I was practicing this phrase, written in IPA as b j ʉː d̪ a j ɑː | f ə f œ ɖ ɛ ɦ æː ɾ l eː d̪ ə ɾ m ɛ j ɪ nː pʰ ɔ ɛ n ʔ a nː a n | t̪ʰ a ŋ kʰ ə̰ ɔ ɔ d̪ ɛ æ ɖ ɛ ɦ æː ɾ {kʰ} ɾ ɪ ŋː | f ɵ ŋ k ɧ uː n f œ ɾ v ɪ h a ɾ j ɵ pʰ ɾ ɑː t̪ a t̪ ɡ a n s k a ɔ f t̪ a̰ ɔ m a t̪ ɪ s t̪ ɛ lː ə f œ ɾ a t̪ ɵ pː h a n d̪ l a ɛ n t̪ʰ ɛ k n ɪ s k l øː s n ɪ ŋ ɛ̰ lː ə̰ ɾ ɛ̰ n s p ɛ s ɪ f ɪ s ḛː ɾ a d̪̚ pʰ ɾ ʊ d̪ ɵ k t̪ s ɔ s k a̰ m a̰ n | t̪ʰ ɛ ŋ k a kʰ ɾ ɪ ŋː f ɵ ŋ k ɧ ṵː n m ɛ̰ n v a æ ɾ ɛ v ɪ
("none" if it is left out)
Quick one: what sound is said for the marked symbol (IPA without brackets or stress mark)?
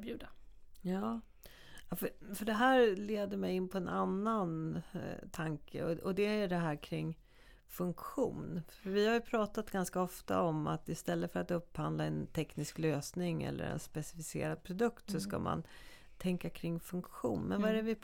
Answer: kʰ